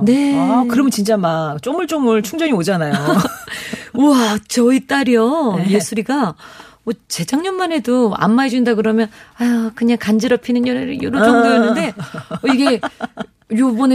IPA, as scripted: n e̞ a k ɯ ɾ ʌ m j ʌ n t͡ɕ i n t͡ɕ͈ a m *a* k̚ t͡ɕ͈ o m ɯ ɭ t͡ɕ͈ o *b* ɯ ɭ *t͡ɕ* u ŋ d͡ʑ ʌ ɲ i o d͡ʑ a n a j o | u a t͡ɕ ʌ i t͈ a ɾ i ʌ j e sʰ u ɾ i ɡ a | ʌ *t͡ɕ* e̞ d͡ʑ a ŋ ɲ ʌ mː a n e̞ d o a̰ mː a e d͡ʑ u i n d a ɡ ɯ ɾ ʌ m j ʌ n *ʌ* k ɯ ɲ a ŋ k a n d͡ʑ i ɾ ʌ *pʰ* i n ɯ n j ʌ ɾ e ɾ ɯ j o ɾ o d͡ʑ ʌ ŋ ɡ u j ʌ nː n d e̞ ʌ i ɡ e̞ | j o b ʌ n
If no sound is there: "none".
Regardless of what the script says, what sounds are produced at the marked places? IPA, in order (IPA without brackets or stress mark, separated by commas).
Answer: a, m, t͡ɕʰ, t͡ɕ, a, pʰ